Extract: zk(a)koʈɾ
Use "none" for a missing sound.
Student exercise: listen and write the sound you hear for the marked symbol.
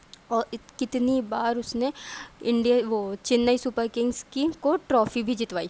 i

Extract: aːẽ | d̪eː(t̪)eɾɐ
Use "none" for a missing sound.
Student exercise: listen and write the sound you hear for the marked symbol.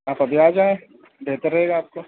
t̪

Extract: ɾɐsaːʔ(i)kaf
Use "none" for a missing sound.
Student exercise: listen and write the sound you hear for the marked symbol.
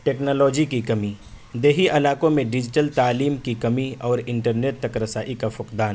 i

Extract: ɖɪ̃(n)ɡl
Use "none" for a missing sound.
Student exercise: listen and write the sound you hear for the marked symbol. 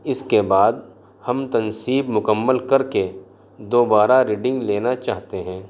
ŋ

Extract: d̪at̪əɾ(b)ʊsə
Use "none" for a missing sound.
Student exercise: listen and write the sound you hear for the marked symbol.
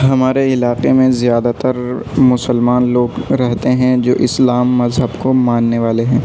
m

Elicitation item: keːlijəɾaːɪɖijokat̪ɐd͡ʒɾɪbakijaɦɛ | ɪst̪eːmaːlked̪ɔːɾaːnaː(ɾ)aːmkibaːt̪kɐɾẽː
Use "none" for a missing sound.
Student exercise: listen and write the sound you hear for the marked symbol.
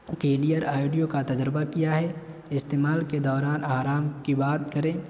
ɾ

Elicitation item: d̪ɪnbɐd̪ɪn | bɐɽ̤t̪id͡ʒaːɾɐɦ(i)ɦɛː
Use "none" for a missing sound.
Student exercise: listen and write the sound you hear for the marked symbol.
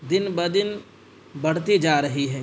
i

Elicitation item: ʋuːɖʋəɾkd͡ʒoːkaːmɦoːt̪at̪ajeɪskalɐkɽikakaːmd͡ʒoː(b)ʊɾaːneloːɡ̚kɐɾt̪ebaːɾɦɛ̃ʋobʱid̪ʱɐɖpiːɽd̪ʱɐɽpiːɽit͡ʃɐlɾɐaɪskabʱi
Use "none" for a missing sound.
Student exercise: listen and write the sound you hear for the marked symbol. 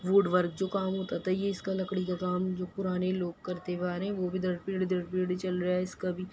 p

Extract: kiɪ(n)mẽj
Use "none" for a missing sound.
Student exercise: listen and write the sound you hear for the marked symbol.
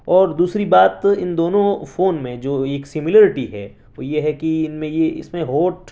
n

